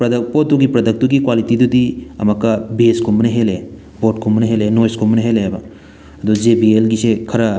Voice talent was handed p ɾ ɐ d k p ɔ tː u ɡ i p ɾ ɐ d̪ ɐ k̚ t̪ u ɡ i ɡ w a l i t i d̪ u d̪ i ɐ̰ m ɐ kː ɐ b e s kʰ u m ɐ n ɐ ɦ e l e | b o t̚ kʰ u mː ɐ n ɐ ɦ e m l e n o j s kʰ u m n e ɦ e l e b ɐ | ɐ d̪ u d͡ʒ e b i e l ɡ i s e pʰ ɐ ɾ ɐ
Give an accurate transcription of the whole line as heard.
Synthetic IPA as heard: p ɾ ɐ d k p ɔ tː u ɡ i p ɾ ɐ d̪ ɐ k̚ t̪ u ɡ i k w a l i t i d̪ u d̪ i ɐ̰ m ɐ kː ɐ b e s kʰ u m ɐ n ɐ ɦ e l e | b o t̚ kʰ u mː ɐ n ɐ ɦ e l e n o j s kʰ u m n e ɦ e l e b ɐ | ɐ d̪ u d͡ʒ e b i e l ɡ i s e kʰ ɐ ɾ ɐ